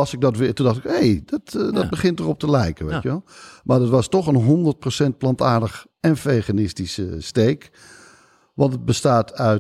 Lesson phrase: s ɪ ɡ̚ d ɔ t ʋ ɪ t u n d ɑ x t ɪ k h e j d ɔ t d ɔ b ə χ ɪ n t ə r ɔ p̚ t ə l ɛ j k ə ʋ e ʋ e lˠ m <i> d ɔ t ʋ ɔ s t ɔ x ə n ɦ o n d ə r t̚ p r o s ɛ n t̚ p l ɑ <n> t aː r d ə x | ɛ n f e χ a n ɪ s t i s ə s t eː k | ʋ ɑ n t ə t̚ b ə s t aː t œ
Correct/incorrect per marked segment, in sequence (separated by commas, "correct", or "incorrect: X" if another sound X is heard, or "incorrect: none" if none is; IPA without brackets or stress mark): incorrect: a, correct